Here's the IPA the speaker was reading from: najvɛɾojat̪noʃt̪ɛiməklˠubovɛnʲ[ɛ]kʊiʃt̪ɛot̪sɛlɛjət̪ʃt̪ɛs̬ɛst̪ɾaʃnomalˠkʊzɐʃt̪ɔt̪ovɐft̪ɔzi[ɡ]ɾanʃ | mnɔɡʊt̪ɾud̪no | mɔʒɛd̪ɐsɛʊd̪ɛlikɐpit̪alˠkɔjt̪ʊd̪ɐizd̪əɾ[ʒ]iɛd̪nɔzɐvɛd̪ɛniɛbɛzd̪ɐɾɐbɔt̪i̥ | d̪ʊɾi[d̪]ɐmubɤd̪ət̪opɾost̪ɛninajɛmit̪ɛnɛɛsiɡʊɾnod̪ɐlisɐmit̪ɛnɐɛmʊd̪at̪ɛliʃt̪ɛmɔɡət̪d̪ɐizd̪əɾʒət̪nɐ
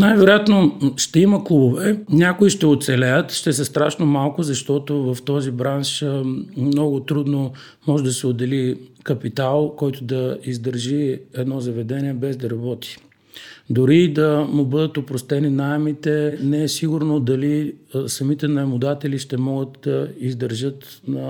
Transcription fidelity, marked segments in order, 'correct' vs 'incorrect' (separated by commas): incorrect, incorrect, correct, correct